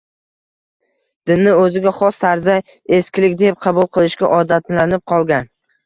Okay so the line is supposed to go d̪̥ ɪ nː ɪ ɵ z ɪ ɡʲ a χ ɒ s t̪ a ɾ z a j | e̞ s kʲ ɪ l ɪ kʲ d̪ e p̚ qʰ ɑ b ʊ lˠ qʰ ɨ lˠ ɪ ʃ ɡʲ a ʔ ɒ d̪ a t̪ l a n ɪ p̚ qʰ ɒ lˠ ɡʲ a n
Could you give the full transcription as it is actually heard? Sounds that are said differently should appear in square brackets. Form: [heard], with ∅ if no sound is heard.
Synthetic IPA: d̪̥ ɪ nː ɪ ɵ z ɪ ɡʲ a χ ɒ s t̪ a ɾ z a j | e̞ s kʲ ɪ l ɪ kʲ d̪ e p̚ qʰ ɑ b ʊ lˠ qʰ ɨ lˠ ɪ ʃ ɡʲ a ʔ ɒ d̪ a t̪ l a n ɪ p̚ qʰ ɒ lˠ ɡʲ a n